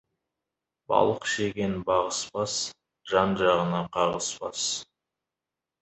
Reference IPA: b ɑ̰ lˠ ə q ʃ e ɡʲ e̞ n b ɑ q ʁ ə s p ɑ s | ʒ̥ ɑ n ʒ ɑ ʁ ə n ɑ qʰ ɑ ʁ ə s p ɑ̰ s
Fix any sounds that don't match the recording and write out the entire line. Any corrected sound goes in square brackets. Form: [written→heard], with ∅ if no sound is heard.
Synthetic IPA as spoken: b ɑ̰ lˠ ə q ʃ e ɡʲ e̞ n b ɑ [q→∅] ʁ ə s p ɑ s | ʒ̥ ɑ n ʒ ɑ ʁ ə n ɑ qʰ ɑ ʁ ə s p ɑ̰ s